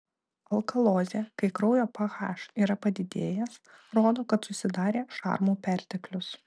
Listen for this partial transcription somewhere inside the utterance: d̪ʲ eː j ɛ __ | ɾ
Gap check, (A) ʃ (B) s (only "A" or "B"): B